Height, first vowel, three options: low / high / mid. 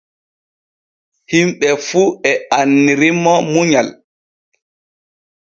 high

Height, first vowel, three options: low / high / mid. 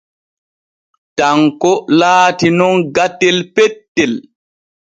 low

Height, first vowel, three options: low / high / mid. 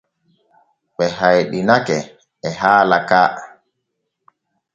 mid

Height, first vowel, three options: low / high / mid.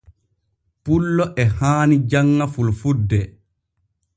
high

